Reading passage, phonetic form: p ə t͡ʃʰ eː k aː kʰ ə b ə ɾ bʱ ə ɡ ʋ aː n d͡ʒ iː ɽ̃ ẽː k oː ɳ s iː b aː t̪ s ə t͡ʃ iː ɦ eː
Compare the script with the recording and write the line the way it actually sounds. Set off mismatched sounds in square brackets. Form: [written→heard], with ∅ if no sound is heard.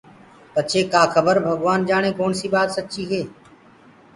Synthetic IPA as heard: p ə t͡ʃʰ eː k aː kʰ ə b ə ɾ bʱ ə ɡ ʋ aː n d͡ʒ [iː→aː] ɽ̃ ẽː k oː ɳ s iː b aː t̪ s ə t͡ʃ iː ɦ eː